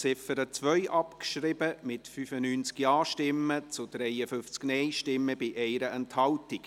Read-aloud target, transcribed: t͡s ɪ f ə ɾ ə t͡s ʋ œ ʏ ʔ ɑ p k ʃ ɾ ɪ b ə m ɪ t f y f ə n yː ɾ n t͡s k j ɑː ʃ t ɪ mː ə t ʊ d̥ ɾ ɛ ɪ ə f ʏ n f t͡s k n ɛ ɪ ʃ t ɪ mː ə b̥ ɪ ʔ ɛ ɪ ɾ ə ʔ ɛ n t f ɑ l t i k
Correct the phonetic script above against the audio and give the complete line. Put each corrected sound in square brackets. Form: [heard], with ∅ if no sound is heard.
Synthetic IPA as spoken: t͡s ɪ f ə ɾ ə t͡s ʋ œ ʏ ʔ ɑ p k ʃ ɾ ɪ b ə m ɪ t f y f ə n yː [∅] n t͡s k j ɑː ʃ t ɪ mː ə [t͡s] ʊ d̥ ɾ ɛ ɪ ə f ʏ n f t͡s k n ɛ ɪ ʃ t ɪ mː ə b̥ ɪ ʔ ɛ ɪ ɾ ə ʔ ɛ n t [h] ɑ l t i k